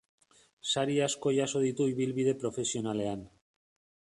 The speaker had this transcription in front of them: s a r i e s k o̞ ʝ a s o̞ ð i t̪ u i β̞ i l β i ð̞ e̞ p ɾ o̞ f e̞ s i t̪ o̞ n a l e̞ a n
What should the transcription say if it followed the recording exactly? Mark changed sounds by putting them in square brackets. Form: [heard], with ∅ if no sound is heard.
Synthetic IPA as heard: s a [ɾ] i [a] s k o̞ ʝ a s o̞ ð i t̪ u i β̞ i l β i ð̞ e̞ p ɾ o̞ f e̞ s i [∅] o̞ n a l e̞ a n